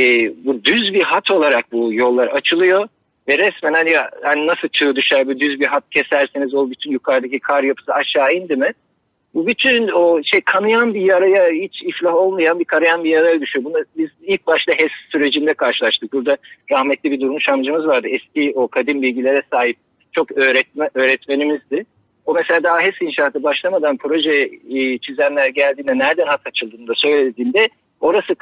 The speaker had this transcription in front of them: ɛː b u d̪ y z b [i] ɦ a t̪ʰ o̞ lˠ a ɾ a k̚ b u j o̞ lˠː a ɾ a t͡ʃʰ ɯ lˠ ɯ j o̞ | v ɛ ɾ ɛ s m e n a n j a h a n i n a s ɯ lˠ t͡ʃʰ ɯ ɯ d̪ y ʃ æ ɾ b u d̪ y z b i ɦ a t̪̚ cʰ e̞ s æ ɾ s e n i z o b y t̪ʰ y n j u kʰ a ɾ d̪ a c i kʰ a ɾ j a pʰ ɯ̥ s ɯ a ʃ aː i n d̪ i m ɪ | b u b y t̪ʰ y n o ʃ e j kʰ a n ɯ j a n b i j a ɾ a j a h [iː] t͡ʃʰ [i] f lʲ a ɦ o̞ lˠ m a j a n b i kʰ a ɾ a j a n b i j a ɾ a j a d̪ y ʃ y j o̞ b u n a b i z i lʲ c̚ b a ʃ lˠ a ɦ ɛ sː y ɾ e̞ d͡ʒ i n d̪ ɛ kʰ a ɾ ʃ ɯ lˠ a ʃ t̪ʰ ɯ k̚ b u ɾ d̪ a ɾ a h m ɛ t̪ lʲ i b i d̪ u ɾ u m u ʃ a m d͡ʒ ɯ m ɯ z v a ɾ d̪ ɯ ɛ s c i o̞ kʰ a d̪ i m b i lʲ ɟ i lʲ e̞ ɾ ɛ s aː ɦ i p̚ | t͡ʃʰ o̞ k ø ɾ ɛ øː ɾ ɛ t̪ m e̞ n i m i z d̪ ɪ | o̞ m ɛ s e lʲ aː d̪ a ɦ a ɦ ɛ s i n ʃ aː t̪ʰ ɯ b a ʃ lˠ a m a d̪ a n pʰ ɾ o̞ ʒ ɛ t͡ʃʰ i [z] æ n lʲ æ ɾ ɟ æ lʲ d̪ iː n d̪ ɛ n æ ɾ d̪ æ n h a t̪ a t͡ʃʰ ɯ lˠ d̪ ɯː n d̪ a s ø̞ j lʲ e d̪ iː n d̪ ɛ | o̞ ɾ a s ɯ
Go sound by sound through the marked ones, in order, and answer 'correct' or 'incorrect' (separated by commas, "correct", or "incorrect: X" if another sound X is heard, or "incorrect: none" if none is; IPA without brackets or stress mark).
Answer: correct, incorrect: i, correct, correct